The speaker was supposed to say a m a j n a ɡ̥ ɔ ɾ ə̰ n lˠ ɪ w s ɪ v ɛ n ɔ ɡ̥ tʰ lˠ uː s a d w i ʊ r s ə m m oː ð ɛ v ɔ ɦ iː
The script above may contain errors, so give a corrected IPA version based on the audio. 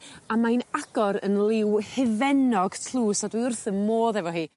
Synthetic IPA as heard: a m a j n a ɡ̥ ɔ ɾ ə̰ n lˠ ɪ w h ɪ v ɛ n ɔ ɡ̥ tʰ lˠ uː s a d w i ʊ r θ ə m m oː ð ɛ v ɔ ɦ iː